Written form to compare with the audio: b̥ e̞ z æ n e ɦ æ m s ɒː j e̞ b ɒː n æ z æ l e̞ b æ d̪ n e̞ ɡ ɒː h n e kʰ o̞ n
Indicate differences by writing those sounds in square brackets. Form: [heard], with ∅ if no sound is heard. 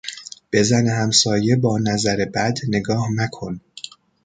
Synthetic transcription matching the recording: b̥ e̞ z æ n e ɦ æ m s ɒː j e̞ b ɒː n æ z æ [ɾ] e̞ b æ d̪ n e̞ ɡ ɒː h n [æ] kʰ o̞ n